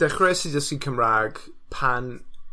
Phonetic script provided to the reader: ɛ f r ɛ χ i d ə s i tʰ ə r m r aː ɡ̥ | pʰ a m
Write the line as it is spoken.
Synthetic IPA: ɛ χ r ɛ s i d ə s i kʰ ə m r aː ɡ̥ | pʰ a n